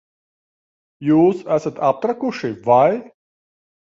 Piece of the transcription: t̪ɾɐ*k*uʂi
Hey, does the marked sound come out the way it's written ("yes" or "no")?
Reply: yes